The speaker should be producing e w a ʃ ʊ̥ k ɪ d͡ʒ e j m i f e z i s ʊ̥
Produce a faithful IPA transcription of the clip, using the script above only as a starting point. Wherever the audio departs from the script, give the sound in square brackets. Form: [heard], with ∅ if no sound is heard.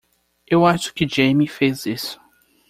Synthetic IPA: e w a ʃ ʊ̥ k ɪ d͡ʒ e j m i f e z i s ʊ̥